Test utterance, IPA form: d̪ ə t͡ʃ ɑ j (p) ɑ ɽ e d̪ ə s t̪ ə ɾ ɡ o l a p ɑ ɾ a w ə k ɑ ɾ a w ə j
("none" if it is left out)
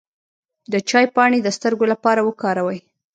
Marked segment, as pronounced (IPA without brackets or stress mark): p